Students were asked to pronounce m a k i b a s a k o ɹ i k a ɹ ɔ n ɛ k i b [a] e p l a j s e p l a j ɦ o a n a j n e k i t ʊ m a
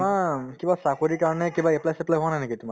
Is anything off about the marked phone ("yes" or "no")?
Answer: no